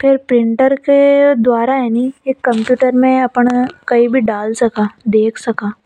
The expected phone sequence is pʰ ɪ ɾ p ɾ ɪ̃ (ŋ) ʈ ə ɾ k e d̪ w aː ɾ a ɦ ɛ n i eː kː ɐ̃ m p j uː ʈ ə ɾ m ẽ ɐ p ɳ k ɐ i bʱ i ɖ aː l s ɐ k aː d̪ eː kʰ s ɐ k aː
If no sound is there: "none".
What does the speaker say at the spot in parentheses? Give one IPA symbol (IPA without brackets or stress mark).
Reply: ɳ